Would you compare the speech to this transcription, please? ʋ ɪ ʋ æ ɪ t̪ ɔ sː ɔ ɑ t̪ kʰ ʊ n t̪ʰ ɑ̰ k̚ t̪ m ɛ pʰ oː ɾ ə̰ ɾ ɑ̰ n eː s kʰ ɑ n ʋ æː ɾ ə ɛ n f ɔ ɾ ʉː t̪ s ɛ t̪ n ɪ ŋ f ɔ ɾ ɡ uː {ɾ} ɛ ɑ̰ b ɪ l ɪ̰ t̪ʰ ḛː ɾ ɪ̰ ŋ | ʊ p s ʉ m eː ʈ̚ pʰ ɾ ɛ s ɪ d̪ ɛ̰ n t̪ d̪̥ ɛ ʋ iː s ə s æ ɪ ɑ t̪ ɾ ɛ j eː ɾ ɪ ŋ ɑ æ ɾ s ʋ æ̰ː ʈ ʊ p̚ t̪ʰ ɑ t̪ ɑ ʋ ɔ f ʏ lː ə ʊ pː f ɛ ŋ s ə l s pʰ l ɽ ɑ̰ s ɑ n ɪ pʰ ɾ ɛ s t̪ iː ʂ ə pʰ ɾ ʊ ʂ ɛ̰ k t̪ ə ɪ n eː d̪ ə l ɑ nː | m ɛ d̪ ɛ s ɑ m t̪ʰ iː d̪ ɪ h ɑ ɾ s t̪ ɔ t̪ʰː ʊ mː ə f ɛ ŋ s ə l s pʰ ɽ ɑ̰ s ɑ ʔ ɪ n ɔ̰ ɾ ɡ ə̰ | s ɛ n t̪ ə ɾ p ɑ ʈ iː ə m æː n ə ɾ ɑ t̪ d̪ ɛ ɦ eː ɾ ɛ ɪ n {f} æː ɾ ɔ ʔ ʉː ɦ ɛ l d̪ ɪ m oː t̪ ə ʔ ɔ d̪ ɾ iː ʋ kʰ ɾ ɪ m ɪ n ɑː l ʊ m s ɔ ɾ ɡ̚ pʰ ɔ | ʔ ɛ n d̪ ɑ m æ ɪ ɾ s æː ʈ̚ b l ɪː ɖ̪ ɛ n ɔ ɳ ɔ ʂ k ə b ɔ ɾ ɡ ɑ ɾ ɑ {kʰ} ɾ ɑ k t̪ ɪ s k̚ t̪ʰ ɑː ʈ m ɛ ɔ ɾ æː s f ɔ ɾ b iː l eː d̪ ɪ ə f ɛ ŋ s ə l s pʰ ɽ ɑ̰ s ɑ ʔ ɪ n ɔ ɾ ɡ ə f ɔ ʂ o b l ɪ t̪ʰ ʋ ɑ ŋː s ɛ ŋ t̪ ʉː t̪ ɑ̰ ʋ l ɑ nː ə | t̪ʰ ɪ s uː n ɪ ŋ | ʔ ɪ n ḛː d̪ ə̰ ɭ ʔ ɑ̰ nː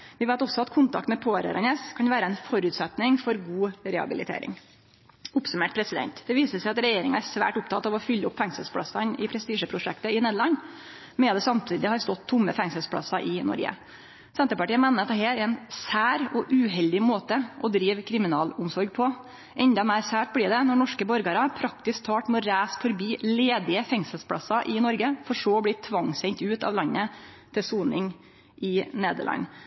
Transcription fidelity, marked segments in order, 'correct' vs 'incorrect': correct, incorrect: s, incorrect: pʰ

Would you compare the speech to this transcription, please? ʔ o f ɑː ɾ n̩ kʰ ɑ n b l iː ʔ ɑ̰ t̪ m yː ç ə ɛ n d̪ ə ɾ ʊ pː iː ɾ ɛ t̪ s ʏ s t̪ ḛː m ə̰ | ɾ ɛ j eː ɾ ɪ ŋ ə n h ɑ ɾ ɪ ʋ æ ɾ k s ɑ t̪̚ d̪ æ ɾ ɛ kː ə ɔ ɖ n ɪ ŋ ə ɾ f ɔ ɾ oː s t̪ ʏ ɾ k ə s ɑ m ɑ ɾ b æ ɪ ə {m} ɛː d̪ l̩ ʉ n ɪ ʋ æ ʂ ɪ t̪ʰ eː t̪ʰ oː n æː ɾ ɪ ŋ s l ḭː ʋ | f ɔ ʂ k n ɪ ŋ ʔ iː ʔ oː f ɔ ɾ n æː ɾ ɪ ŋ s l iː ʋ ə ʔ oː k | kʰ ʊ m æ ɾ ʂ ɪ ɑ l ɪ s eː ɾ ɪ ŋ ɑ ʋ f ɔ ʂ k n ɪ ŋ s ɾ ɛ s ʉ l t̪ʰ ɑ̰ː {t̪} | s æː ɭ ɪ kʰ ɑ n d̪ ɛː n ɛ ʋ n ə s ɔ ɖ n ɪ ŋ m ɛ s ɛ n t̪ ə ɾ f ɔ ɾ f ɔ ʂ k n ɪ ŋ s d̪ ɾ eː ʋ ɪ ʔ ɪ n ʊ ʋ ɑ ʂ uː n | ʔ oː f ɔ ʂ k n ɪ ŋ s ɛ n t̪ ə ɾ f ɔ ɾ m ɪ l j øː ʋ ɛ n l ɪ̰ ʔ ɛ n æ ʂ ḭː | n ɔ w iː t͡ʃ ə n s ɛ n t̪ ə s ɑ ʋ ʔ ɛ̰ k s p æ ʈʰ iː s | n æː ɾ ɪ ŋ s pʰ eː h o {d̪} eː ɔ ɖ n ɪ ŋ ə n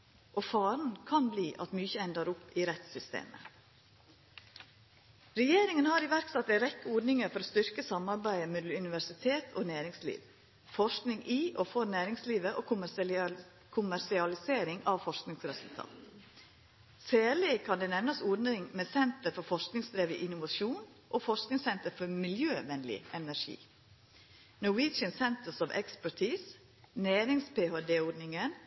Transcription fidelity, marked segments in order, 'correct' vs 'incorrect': correct, correct, correct

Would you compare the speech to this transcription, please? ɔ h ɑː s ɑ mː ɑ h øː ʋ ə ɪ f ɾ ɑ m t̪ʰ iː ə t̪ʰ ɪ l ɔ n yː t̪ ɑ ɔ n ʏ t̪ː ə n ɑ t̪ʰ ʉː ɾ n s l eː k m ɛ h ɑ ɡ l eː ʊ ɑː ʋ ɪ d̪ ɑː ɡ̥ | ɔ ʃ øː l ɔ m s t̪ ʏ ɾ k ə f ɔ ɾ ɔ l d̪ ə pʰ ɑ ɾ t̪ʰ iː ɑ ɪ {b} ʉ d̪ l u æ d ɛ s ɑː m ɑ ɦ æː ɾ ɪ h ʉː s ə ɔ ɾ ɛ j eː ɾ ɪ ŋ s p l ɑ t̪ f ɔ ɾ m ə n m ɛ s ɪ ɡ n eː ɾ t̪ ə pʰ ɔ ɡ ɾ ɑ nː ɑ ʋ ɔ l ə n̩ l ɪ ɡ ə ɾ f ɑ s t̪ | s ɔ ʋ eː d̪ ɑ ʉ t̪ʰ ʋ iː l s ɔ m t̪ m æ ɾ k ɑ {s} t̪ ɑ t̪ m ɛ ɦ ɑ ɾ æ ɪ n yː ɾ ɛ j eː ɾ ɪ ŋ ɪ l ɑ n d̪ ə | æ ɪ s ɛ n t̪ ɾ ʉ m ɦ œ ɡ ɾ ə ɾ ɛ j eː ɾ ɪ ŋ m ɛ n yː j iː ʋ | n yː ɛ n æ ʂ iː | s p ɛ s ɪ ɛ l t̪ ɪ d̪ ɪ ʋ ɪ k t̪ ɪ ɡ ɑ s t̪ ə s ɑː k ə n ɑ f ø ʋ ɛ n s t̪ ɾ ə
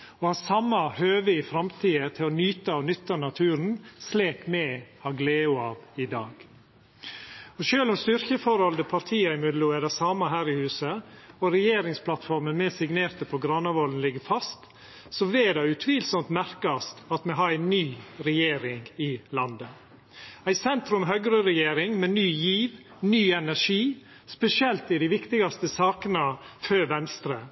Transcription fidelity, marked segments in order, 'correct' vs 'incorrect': incorrect: m, correct

